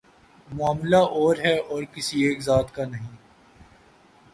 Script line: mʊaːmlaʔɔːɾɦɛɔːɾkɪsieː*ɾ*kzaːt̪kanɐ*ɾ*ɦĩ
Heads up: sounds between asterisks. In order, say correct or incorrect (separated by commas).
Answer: incorrect, incorrect